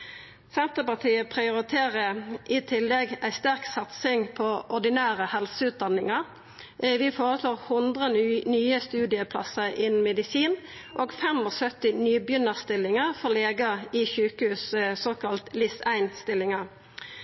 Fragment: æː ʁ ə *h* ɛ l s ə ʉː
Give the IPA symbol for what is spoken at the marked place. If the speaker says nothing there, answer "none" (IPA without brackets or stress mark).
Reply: h